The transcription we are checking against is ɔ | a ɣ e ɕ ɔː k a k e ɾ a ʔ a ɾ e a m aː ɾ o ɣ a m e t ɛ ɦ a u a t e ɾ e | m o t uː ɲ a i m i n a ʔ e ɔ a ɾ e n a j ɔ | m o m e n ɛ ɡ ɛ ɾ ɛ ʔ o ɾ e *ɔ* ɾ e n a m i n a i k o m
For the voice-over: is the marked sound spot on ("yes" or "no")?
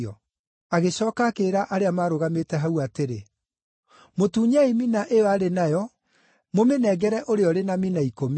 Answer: yes